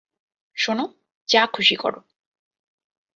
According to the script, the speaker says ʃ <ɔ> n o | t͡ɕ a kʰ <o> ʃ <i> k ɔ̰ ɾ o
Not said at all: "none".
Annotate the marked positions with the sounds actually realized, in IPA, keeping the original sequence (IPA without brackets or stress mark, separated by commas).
o, u, i